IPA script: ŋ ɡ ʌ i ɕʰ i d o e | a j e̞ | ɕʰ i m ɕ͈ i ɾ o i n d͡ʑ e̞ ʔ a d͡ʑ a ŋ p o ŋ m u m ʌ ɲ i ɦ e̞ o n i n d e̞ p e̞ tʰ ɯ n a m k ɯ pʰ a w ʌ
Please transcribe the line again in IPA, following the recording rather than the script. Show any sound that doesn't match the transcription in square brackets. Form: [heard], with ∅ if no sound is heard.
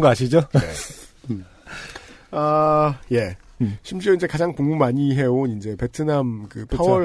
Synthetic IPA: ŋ ɡ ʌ [a] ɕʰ i [d͡ʑ] o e | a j e̞ | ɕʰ i m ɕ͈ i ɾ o i n d͡ʑ e̞ [k] a d͡ʑ a ŋ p o ŋ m u m [a] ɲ i ɦ e̞ o n i n [d͡ʑ] e̞ p e̞ tʰ ɯ n a m k ɯ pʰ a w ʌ